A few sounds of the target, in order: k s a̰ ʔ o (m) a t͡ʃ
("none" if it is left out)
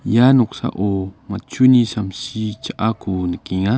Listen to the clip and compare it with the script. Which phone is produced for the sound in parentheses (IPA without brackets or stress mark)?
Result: m